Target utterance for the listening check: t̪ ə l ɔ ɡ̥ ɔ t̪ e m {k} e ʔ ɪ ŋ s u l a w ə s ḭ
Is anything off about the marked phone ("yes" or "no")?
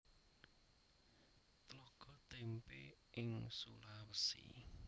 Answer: yes